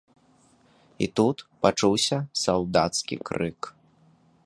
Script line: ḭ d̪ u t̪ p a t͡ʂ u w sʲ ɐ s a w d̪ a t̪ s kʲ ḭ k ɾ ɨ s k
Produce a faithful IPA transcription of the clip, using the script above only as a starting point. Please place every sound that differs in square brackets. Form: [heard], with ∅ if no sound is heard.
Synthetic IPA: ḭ [t̪] u t̪ p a t͡ʂ u w sʲ ɐ s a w d̪ a t̪ s kʲ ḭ k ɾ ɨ [∅] k